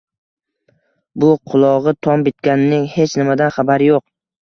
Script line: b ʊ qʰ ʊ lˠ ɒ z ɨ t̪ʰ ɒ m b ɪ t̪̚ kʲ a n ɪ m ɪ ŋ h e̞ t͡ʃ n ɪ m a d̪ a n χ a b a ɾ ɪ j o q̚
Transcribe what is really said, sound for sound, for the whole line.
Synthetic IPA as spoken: b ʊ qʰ ʊ lˠ ɒ ʁ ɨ t̪ʰ ɒ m b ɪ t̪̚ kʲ a n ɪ n ɪ ŋ h e̞ t͡ʃ n ɪ m a d̪ a n χ a b a ɾ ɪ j o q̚